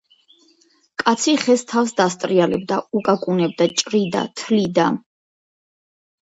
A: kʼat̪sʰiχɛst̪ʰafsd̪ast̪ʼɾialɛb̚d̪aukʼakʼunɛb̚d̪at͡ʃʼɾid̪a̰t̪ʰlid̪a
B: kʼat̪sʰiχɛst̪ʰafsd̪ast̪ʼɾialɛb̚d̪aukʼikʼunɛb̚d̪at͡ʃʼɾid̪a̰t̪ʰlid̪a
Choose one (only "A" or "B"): A